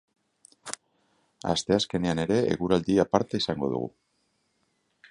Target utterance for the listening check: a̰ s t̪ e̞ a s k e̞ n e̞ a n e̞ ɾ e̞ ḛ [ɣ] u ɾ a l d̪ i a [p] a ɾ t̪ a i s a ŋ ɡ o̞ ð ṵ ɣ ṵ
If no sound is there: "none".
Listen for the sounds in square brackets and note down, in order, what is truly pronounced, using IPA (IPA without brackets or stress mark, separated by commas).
ɣ, p